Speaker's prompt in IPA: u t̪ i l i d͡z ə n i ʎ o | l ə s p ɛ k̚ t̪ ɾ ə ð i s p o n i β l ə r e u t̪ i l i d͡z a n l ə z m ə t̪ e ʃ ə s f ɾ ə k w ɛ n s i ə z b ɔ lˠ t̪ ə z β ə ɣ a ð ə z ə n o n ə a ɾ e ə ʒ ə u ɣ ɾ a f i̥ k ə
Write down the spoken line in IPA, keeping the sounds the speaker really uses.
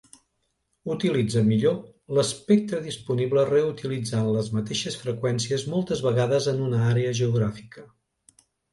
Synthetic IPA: u t̪ i l i d͡z ə m i ʎ o | l ə s p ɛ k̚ t̪ ɾ ə ð i s p u n i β l ə r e u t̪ i l i d͡z a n l ə z m ə t̪ e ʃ ə s f ɾ ə k w ɛ n s i ə z m ɔ lˠ t̪ ə z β ə ɣ a ð ə z ə n u n ə a ɾ e ə ʒ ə u ɣ ɾ a f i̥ k ə